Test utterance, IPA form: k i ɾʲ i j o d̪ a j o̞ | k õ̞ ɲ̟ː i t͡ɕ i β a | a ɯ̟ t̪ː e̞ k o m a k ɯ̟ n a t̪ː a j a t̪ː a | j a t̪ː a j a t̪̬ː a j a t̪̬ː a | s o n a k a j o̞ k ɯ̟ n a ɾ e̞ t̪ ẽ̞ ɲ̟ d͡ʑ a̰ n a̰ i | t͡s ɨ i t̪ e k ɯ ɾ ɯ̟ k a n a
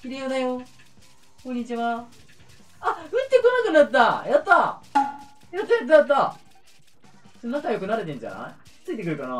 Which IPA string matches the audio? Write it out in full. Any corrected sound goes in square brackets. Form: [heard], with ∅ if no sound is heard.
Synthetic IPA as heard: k i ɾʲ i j o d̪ a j o̞ | k õ̞ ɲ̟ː i t͡ɕ i β a | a ɯ̟ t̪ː e̞ k o [n] a k ɯ̟ n a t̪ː a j a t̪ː a | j a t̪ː a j a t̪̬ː a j a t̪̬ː a | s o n a k a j o̞ k ɯ̟ n a ɾ e̞ t̪ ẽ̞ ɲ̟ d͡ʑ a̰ n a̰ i | t͡s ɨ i t̪ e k ɯ ɾ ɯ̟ k a n a